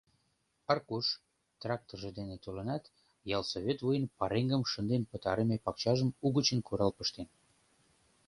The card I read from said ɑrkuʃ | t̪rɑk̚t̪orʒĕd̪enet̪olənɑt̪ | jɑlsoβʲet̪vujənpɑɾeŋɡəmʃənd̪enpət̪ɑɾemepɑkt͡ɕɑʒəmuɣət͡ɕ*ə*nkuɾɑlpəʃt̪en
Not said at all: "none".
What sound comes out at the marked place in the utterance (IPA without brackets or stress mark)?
ə